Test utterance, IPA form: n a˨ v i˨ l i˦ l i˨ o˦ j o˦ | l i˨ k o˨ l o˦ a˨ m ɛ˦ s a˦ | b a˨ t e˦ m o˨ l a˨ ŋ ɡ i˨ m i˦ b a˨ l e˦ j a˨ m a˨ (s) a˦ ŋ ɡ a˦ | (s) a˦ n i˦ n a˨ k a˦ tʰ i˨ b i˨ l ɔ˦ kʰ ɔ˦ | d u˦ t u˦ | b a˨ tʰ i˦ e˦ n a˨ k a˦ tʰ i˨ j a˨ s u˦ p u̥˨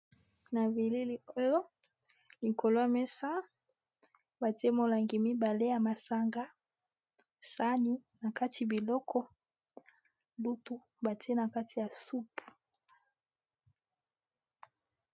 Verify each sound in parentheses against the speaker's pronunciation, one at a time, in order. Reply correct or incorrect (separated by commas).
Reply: correct, correct